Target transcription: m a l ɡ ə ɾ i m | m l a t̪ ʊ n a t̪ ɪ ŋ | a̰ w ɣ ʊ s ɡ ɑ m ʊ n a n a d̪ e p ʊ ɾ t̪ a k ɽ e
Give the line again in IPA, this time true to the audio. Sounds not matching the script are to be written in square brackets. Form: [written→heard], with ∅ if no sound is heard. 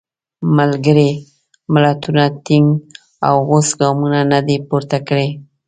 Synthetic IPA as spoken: m a l ɡ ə ɾ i [m→∅] | m l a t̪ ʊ n a t̪ ɪ ŋ | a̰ w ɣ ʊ s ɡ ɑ m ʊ n a n a d̪ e p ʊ ɾ t̪ a k ɽ e